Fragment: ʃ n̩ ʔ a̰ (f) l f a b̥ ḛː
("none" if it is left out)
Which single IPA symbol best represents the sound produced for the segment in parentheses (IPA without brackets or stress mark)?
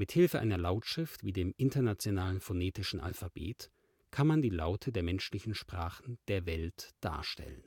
none